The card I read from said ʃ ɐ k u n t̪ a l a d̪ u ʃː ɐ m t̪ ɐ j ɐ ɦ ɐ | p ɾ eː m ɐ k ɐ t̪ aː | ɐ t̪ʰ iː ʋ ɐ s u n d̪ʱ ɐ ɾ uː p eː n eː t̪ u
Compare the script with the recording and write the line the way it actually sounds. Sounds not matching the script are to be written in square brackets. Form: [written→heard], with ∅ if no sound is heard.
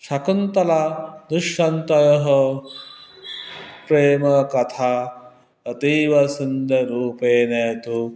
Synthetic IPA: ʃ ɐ k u n t̪ [a→ɐ] l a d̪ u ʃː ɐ [m→n] t̪ ɐ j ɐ ɦ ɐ | p ɾ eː m ɐ k ɐ [t̪→t̪ʰ] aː | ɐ [t̪ʰ→t̪] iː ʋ ɐ s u n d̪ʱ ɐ ɾ uː p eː n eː t̪ u